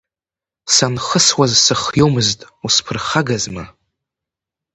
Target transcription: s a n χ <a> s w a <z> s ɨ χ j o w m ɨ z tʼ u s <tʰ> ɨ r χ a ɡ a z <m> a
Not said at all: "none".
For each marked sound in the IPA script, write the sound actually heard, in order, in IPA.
ə, z, pʰ, m

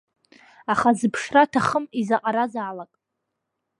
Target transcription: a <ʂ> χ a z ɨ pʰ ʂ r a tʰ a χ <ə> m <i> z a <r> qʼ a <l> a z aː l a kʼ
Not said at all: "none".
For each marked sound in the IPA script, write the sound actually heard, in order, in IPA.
none, ə, i, none, ɾ

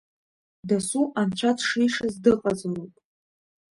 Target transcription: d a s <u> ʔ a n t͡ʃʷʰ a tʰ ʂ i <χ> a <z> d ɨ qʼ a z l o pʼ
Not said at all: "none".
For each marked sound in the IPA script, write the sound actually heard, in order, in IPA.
u, ʂ, z

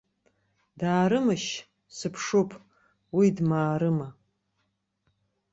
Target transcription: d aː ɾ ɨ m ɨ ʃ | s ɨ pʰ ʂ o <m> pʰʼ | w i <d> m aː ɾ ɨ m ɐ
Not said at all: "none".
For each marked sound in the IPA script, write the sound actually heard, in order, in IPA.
none, d

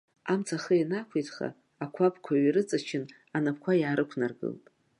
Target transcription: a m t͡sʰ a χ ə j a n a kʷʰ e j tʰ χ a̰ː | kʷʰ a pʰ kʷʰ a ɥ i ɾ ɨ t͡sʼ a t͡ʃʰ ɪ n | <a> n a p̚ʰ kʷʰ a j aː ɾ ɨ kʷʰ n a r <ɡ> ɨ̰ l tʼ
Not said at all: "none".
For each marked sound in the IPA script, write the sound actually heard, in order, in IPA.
a, ɡ

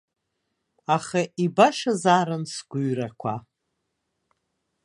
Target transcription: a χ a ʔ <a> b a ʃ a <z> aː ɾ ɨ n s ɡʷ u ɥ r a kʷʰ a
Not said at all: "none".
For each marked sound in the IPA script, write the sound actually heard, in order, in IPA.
i, z

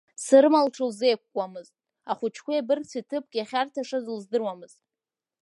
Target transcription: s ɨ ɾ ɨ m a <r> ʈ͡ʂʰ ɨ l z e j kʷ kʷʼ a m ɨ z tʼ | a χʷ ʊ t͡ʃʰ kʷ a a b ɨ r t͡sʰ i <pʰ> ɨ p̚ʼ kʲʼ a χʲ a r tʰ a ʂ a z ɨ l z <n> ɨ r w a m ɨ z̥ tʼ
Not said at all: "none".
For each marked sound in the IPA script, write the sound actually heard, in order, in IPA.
l, tʰ, d

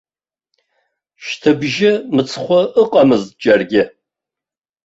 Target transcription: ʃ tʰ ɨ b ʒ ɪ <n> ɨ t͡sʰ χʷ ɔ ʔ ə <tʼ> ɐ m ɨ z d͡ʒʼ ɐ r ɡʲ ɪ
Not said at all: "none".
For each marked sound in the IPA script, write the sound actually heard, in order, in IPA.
m, qʼ

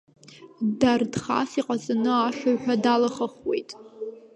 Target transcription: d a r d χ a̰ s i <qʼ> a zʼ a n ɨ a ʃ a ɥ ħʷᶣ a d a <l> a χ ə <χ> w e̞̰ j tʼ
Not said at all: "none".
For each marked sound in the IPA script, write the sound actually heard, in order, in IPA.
qʼ, l, χ

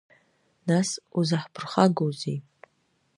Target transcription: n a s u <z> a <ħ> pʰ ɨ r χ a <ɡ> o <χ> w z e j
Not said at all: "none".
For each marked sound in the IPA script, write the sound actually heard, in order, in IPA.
z, ħ, ɡ, none

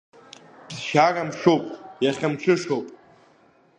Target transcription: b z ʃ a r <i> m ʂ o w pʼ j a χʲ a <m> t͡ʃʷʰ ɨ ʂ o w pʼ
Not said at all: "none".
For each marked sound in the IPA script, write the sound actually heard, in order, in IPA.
a, m

